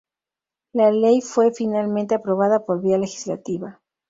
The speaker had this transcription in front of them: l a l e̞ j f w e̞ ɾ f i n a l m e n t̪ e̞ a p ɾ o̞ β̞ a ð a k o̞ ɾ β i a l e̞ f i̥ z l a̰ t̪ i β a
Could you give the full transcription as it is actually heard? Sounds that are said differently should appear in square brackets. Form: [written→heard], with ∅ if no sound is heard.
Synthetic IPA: l a l e̞ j f w e̞ [ɾ→∅] f i n a l m e n t̪ e̞ a p ɾ o̞ β̞ a ð a [k→p] o̞ ɾ β i a l e̞ [f→x] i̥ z l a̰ t̪ i β a